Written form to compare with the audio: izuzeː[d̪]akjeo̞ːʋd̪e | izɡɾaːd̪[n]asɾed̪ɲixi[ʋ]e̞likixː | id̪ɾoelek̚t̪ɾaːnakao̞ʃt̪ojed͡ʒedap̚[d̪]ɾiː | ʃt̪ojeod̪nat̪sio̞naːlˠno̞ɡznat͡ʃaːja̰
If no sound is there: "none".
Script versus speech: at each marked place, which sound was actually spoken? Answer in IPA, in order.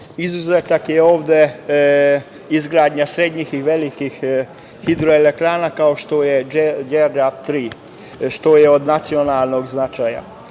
t̪, ɲ, ʋ, t̪

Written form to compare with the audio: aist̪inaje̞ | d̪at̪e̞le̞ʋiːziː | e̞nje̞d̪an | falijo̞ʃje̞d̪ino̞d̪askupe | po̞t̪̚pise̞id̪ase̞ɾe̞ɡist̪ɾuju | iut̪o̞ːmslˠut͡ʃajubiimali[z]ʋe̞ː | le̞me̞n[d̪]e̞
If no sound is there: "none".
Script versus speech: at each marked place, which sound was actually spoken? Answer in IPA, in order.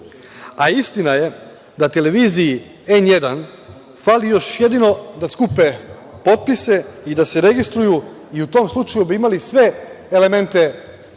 s, t̪

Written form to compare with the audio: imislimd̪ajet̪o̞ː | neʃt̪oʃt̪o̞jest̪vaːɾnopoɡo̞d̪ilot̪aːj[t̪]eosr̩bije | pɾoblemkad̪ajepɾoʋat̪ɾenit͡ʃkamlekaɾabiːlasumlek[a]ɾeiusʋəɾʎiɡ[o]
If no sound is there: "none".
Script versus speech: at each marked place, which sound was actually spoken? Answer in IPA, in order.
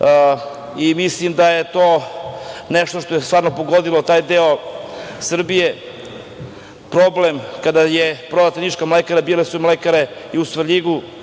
d̪, a, u

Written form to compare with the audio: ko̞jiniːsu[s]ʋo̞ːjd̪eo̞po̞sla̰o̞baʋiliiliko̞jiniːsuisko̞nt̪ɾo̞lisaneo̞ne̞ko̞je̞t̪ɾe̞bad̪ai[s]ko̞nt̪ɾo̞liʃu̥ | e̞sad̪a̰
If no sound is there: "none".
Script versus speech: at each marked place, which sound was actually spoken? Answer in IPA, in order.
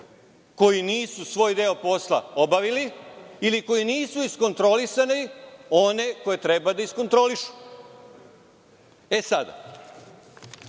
s, s

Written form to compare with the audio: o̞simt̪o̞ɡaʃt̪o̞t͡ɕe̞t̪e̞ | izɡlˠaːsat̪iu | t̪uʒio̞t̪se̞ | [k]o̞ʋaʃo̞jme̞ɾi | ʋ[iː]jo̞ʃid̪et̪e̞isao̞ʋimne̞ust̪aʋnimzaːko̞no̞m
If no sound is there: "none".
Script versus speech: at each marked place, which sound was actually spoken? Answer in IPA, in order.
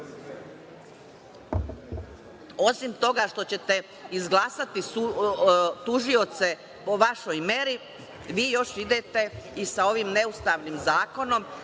p, iː

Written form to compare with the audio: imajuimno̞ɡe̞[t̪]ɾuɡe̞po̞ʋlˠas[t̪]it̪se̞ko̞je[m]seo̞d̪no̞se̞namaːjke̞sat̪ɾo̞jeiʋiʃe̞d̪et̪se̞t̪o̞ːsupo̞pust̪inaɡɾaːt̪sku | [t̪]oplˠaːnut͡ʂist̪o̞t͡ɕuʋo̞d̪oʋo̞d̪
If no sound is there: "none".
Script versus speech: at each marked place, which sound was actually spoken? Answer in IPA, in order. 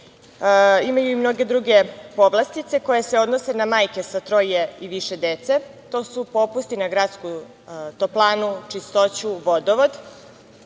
d̪, t̪, none, t̪

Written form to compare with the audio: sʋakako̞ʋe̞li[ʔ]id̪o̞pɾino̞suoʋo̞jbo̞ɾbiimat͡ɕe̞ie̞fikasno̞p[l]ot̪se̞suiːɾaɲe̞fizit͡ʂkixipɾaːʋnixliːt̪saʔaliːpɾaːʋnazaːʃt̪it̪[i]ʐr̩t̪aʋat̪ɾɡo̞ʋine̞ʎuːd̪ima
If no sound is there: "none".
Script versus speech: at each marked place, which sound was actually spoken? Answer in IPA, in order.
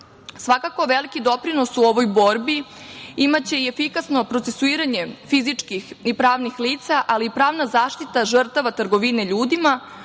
k, ɾ, a

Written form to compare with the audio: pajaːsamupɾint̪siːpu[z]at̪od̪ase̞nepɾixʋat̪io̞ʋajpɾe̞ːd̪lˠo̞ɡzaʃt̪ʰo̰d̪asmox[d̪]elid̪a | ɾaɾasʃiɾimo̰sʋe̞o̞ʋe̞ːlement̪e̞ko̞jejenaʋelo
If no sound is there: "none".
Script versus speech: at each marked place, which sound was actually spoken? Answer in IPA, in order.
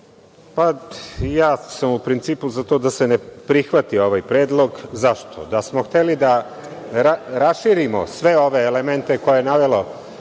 z, t̪

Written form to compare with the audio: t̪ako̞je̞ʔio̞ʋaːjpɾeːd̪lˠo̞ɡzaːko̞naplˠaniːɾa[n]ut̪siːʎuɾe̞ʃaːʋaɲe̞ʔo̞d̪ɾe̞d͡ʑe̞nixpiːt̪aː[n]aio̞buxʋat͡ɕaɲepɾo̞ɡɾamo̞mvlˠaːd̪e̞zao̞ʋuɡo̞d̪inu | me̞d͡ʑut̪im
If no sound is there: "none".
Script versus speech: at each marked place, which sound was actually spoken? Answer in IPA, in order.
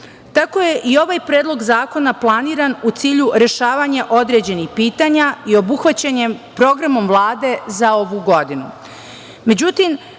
n, ɲ

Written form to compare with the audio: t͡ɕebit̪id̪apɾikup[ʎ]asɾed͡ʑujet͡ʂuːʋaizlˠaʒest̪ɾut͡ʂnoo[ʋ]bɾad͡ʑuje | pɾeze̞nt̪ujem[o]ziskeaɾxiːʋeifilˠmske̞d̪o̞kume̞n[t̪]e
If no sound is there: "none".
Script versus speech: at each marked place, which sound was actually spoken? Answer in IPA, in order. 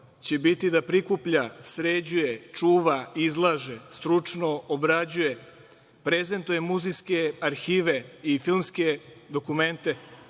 ʎ, none, u, t̪

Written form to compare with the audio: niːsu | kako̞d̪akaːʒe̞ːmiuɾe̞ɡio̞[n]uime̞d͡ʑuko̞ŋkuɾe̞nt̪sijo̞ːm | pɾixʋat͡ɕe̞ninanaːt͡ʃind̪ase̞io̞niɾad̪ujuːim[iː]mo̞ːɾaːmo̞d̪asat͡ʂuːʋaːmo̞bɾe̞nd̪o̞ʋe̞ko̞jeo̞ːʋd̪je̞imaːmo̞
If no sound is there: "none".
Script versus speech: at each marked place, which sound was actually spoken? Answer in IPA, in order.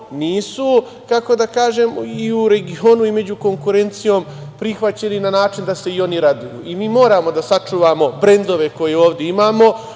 n, iː

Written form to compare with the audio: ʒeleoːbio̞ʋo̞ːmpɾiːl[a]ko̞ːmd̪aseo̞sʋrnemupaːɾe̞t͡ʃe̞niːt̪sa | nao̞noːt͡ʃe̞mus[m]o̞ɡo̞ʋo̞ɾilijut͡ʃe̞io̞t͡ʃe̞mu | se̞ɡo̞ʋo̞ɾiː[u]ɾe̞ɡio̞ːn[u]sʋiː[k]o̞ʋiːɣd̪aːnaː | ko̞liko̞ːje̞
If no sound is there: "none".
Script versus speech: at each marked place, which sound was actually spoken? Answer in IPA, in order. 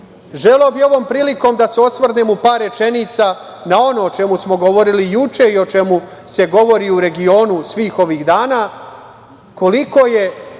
i, m, u, u, x

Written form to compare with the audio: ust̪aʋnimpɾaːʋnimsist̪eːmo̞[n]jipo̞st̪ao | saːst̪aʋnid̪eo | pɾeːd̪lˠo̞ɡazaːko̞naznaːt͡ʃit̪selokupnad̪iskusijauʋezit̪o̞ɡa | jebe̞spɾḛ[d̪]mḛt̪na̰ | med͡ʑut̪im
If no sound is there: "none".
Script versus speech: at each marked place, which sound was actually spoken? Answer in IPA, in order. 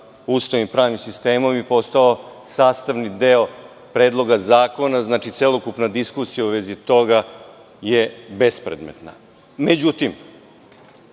m, d̪

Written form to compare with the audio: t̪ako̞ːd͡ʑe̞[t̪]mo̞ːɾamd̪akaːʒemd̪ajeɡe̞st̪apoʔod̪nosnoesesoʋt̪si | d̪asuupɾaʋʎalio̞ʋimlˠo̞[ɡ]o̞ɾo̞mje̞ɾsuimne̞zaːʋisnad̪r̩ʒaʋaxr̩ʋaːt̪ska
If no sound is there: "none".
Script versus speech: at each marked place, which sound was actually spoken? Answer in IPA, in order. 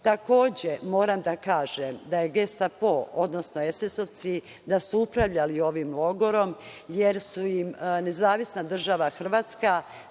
none, ɡ

